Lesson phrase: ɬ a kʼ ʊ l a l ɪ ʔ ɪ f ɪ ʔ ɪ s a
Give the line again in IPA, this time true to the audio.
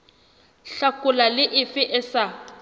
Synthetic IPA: ɬ a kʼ ʊ l a l ɪ ʔ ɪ f ɪ ʔ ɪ s a